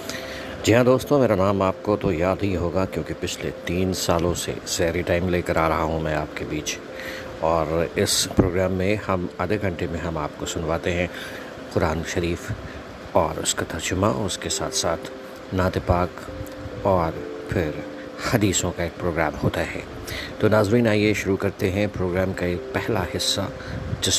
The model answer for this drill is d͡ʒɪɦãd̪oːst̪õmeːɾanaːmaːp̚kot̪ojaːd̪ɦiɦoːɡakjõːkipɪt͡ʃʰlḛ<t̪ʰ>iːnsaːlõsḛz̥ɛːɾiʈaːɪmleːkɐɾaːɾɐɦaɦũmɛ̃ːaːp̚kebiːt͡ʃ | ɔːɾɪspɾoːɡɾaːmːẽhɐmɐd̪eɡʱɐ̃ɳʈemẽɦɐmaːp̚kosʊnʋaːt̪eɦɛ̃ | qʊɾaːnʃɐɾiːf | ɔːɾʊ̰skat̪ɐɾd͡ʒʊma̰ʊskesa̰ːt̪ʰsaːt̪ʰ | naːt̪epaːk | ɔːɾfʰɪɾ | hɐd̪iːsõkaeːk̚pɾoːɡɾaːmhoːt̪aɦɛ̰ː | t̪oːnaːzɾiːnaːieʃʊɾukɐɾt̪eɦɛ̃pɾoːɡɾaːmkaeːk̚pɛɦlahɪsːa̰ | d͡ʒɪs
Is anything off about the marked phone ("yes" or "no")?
yes